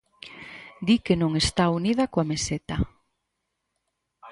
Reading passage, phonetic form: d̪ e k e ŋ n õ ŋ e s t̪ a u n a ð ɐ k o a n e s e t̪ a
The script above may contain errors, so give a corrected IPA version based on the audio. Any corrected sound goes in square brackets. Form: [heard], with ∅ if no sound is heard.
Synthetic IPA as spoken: d̪ [i] k e [∅] n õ ŋ e s t̪ a u n [i] ð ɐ k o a [m] e s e t̪ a